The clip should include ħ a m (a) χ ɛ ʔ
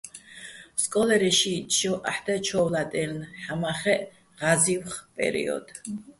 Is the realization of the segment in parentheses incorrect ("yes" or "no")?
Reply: no